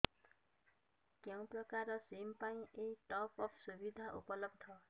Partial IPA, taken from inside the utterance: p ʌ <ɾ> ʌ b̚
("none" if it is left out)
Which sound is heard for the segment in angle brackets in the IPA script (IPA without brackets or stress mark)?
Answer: l